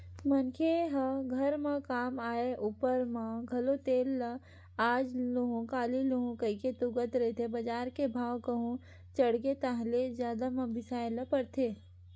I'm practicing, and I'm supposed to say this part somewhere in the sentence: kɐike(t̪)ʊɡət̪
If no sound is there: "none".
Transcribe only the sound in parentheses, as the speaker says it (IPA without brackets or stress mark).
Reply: t̪